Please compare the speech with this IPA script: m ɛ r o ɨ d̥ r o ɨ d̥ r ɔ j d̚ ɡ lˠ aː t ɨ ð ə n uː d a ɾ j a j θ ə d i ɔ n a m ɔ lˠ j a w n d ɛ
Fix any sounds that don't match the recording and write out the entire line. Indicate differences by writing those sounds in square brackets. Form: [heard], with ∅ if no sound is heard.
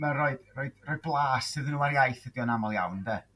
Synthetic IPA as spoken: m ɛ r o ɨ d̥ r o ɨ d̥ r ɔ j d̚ [b] lˠ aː [s] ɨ ð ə n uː [∅] a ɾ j a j θ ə d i ɔ n a m ɔ lˠ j a w n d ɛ

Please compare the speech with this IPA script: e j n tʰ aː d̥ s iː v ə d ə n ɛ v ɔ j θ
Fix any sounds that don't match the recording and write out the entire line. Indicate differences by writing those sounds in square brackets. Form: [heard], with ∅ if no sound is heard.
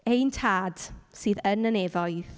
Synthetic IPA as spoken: e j n tʰ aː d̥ s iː [ð] ə [n] ə n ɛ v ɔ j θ

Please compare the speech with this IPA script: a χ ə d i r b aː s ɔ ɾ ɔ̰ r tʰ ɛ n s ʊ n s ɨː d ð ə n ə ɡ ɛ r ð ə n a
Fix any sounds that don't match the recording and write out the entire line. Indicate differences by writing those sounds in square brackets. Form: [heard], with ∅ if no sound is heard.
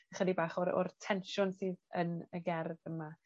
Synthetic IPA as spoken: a χ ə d i [∅] b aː [χ] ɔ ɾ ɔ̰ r tʰ ɛ n [ʃ] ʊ n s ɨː [∅] ð ə n ə ɡ ɛ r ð ə [m] a

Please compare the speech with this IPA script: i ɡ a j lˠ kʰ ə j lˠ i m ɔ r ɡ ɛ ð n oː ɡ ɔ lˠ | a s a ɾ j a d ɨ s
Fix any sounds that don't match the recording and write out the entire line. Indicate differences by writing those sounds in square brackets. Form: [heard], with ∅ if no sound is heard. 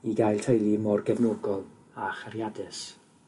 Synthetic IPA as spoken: i ɡ a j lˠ [tʰ] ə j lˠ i m ɔ r ɡ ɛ [v] n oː ɡ ɔ lˠ | a [χ] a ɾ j a d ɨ s

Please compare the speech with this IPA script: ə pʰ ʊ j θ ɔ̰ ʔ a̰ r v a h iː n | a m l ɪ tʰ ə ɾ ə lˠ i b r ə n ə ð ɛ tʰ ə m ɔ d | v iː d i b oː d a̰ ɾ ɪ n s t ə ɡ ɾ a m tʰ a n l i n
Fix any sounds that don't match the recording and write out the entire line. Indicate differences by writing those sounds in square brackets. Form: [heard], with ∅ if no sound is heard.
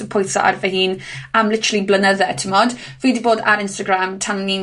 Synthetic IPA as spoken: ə pʰ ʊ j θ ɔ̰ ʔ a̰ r v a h iː n | a m l ɪ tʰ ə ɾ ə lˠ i b [l] ə n ə ð ɛ tʰ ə m ɔ d | v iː d i b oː d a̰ ɾ ɪ n s t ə ɡ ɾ a m tʰ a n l i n

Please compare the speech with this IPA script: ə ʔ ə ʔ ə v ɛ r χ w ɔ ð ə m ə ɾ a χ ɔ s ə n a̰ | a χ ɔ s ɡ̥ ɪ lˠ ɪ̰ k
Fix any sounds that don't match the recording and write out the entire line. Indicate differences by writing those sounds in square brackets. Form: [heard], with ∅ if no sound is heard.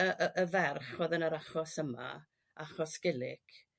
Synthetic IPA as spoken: ə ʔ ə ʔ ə v ɛ r χ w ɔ ð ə [n] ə ɾ a χ ɔ s ə [m] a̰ | a χ ɔ s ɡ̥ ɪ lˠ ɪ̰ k

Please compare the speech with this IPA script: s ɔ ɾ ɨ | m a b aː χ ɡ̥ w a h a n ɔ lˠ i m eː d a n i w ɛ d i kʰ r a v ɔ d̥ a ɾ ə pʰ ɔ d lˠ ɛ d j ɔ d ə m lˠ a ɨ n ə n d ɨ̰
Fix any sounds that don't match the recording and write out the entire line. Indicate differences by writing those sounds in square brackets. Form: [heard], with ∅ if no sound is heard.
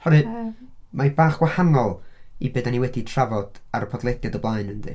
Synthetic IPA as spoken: [h] ɔ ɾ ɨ | m a b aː χ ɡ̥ w a h a n ɔ lˠ i [b] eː d a n i w ɛ d i [tʰ] r a v ɔ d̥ a ɾ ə pʰ ɔ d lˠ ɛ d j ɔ d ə [b] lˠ a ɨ n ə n d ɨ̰

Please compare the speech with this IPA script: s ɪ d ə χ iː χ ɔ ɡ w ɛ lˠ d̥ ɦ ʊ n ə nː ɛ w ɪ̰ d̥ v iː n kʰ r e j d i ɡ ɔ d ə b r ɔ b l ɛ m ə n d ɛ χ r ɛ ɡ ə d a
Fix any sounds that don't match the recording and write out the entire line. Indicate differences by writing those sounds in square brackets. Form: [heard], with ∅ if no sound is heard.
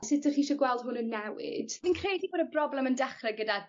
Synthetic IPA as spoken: s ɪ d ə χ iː [ʃ] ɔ ɡ w ɛ lˠ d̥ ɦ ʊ n ə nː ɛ w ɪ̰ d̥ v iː n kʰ r e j d i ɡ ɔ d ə b r ɔ b l ɛ m ə n d ɛ χ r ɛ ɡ ə d a

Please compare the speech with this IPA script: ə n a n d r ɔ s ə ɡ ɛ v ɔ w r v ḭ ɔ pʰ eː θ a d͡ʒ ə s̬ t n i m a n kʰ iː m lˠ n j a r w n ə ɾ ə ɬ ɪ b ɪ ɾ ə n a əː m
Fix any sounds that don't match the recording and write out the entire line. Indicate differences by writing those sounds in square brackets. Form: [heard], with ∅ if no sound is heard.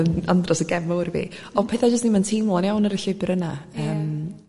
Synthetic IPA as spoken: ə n a n d r ɔ s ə ɡ ɛ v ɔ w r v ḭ ɔ pʰ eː θ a d͡ʒ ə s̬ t n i m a n [tʰ] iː m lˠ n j a [∅] w n ə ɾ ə ɬ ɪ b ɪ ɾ ə n a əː m

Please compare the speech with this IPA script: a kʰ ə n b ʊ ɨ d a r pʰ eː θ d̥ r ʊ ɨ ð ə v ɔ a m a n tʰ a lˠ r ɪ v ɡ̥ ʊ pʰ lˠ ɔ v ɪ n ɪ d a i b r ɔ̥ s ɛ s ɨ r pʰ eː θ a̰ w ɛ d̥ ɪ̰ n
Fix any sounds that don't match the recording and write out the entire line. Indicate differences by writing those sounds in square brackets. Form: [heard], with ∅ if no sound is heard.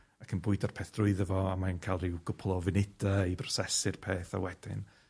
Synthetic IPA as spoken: a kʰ ə n b ʊ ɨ d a r pʰ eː θ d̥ r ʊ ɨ ð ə v ɔ a m a n [kʰ] a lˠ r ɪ [w] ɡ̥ ʊ pʰ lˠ ɔ v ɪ n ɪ d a i b r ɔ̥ s ɛ s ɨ r pʰ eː θ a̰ w ɛ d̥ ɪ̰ n

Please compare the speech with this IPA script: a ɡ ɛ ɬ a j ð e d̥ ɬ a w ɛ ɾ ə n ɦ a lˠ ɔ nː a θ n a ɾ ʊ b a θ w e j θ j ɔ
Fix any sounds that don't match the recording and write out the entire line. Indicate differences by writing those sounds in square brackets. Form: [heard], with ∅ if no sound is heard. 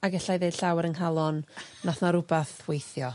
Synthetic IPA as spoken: a ɡ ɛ ɬ a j ð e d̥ ɬ a w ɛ ɾ ə n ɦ a lˠ ɔ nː a θ n a ɾ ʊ b a θ w e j θ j ɔ

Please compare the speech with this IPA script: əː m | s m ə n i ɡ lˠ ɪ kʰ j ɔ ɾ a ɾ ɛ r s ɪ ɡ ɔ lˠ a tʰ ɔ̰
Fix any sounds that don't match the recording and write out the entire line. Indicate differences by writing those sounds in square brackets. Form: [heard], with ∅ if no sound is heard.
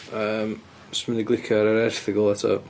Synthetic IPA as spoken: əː m | s m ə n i ɡ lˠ ɪ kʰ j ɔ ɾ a ɾ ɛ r [θ] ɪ ɡ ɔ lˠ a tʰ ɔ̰

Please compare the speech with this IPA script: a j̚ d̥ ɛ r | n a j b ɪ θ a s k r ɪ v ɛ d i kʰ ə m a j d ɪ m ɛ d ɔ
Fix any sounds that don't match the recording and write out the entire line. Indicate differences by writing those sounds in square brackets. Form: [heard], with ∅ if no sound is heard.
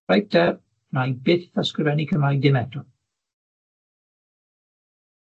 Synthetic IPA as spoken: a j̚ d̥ ɛ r | n a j b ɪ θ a s k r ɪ v ɛ [n] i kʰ ə m a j d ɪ m ɛ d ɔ

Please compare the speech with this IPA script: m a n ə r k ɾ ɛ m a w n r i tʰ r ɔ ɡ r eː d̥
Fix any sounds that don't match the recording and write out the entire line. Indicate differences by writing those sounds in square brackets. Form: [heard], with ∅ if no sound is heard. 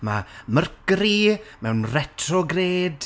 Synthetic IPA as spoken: m a [m] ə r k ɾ [i] m [ɛ] w n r [ɛ] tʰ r ɔ ɡ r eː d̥

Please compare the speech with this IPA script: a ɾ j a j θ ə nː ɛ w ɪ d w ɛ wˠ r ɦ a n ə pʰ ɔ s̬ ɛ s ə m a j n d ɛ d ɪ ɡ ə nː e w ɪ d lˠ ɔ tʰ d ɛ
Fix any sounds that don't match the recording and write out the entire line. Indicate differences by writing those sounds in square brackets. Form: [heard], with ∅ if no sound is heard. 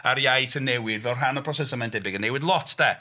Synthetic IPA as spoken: a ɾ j a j θ ə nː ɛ w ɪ d [v] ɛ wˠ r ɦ a n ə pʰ ɔ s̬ ɛ s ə m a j n d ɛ [b] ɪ ɡ ə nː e w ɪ d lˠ ɔ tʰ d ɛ

